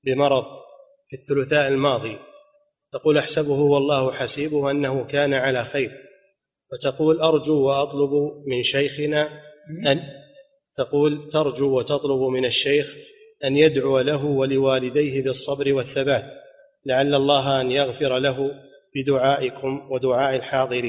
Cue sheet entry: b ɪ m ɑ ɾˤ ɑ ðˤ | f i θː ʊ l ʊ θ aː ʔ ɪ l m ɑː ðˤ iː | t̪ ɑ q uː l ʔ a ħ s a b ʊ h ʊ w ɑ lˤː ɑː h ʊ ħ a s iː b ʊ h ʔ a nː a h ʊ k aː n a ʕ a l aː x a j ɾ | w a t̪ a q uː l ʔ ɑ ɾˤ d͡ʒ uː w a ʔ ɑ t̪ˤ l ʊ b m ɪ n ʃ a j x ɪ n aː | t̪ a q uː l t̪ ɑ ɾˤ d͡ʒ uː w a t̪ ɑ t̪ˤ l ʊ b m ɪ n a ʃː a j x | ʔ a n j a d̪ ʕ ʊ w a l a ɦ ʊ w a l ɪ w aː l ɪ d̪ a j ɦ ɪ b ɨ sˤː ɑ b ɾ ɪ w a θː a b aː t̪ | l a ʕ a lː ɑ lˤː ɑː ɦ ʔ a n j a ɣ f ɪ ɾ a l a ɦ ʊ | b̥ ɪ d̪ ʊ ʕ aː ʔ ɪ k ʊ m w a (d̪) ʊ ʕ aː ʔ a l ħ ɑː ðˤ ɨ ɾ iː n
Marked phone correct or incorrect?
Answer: correct